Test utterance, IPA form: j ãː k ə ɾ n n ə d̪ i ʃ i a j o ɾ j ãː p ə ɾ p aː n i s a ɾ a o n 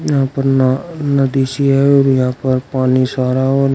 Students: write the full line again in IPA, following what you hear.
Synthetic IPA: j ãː p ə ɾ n n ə d̪ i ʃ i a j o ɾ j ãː p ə ɾ p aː n i s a ɾ a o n

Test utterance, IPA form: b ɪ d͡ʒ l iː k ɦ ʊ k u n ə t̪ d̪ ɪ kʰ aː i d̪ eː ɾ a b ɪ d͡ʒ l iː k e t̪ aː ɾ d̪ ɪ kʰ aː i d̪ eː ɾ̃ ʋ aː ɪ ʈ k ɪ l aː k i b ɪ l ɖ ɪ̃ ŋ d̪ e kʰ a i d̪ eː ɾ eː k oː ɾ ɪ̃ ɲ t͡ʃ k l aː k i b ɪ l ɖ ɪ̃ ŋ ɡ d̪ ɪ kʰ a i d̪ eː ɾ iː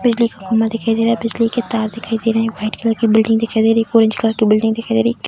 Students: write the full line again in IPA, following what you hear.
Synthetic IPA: b ɪ d͡ʒ l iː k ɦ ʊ k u m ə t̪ d̪ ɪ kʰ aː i d̪ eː ɾ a b ɪ d͡ʒ l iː k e t̪ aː ɾ d̪ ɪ kʰ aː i d̪ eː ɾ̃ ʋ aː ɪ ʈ k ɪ l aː k i b ɪ l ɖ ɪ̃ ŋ d̪ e kʰ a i d̪ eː ɾ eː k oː ɾ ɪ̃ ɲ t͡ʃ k l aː k i b ɪ l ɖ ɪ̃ ŋ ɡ d̪ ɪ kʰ a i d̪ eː ɾ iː

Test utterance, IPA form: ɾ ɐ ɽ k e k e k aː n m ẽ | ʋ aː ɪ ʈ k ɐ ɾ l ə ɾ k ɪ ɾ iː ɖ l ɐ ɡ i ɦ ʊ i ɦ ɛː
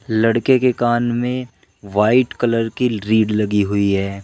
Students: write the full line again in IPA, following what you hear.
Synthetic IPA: l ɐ ɽ k e k e k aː n m ẽ | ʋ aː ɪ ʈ k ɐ l ə ɾ k i ɾ iː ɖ l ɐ ɡ i ɦ ʊ i ɦ ɛː

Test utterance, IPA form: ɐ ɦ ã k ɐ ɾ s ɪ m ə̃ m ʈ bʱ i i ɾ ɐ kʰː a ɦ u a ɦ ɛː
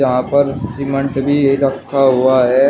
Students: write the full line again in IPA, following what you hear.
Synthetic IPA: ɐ ɦ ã p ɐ ɾ s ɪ m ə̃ ɳ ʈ bʱ i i ɾ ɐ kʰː a ɦ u a ɦ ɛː

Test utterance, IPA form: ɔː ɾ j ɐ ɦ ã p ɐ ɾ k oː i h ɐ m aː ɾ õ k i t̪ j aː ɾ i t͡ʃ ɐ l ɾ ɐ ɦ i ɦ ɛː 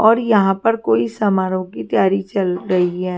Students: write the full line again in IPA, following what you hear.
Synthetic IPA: ɔː ɾ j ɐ ɦ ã p ɐ ɾ k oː i s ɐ m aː ɾ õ k i t̪ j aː ɾ i t͡ʃ ɐ l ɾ ɐ ɦ i ɦ ɛː

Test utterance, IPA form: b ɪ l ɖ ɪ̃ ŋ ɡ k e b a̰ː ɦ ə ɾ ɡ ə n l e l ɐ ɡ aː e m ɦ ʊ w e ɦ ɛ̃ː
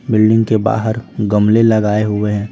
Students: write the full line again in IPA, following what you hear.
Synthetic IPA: b ɪ l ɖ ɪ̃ ŋ ɡ k e b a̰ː ɦ ə ɾ ɡ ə m l e l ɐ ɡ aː e ɦ ʊ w e ɦ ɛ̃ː

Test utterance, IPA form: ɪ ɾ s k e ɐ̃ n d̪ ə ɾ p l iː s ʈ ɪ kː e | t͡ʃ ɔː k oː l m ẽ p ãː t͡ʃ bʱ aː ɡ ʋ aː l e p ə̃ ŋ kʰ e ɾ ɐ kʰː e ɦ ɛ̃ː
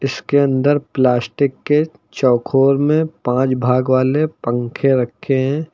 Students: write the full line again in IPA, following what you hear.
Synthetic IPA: ɪ s k e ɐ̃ n d̪ ə ɾ p l aː s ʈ ɪ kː e | t͡ʃ ɔː kʰ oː ɾ m ẽ p ãː t͡ʃ bʱ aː ɡ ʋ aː l e p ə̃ ŋ kʰ e ɾ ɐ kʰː e ɦ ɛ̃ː

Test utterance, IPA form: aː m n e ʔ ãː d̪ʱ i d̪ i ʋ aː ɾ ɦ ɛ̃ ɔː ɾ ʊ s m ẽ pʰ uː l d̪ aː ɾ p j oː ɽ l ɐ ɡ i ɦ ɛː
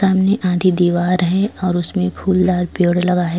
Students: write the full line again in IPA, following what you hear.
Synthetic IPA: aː m n e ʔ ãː d̪ʱ i d̪ iː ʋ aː ɾ ɦ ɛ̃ ɔː ɾ ʊ s m ẽ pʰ uː l d̪ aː ɾ p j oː ɽ l ɐ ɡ a ɦ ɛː

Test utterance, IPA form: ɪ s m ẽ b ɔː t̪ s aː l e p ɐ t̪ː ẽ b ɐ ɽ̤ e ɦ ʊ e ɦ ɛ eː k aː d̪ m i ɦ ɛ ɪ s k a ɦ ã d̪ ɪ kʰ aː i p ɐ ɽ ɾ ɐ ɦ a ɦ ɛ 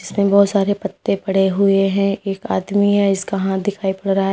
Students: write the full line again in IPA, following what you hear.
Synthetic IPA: ɪ s m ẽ b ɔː t̪ s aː ɾ e p ɐ t̪ː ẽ p ɐ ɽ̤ e ɦ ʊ e ɦ ɛ̃ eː k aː d̪ m i ɦ ɛ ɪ s k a ɦ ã d̪ ɪ kʰ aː i p ɐ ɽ ɾ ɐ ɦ a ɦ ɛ

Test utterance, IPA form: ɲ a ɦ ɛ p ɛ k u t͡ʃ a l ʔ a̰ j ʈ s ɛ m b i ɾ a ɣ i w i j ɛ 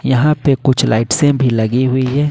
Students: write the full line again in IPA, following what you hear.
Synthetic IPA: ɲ a ɦ a p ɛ k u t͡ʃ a l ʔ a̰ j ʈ s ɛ m b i l a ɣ i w i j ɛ

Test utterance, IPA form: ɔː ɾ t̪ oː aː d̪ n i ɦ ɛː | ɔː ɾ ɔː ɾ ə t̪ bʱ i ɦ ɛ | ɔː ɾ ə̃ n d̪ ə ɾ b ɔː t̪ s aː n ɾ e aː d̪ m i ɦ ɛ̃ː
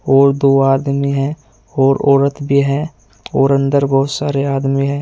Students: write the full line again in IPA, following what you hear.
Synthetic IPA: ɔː ɾ d̪ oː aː d̪ m i ɦ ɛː | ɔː ɾ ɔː ɾ ə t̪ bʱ i ɦ ɛ | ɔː ɾ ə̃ n d̪ ə ɾ b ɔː t̪ s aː ɾ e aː d̪ m i ɦ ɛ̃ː

